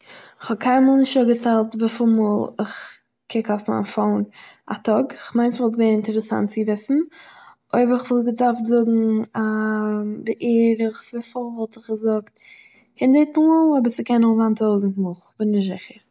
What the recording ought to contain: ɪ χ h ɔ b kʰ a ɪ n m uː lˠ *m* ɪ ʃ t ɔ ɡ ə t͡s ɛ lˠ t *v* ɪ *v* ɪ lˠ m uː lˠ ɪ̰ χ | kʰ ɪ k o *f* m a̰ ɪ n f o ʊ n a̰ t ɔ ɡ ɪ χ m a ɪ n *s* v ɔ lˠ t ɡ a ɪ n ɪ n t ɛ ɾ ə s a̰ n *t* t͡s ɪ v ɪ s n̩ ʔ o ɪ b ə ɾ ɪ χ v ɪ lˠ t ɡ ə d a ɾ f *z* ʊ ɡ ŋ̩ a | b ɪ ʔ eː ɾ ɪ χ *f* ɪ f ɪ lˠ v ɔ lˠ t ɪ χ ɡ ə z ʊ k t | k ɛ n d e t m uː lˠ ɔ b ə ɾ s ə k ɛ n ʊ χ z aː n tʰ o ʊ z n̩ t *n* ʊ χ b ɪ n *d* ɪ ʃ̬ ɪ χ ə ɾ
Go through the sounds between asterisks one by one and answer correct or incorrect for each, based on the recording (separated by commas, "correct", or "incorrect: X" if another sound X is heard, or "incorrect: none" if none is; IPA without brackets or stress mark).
incorrect: n, correct, incorrect: f, correct, correct, correct, correct, incorrect: v, incorrect: m, incorrect: n